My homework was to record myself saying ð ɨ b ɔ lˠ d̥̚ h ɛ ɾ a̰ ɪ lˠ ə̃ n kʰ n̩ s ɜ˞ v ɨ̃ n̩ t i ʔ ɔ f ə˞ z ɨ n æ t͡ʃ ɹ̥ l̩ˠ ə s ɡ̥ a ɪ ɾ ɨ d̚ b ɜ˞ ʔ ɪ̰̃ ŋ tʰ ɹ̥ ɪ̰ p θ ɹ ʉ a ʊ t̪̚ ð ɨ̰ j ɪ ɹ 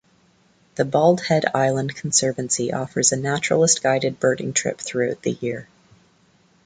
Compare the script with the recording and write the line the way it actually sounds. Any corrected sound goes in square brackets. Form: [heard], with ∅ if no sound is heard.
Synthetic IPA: ð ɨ b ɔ lˠ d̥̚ h ɛ ɾ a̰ ɪ lˠ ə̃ n kʰ n̩ s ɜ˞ v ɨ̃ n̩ [s] i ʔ ɔ f ə˞ z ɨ n æ t͡ʃ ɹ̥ l̩ˠ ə s ɡ̥ a ɪ ɾ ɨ d̚ b ɜ˞ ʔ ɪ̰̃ ŋ tʰ ɹ̥ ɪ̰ p θ ɹ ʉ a ʊ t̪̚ ð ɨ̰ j ɪ ɹ